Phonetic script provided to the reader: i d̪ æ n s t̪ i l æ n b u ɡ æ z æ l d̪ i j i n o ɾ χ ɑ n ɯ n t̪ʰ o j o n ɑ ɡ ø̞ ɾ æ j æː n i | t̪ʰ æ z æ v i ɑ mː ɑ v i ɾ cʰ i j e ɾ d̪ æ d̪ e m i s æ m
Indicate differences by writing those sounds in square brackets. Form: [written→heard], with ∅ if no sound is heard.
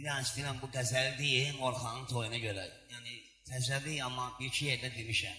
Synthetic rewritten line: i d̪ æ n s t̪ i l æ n b u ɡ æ z æ l d̪ i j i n o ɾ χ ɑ n ɯ n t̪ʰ o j [o→u] n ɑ [ɡ→ɟ] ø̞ ɾ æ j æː n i | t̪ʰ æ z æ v i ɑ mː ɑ [v→b] i ɾ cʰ i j e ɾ d̪ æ d̪ e m i [s→ʃ] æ m